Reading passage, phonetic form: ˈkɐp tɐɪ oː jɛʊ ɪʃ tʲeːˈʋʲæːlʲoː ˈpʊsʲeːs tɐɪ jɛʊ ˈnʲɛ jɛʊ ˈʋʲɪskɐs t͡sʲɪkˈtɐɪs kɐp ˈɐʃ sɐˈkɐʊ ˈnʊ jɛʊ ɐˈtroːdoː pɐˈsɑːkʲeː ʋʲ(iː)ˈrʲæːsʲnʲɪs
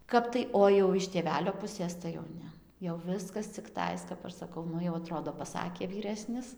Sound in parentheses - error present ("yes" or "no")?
no